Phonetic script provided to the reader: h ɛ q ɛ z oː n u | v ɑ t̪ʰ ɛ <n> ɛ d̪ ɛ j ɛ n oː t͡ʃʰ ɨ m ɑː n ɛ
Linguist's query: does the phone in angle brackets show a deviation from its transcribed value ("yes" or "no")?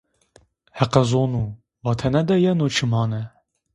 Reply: no